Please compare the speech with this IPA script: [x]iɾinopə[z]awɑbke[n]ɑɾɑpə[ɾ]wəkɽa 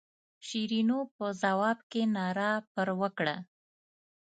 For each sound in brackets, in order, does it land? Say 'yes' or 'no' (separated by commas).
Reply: no, yes, yes, yes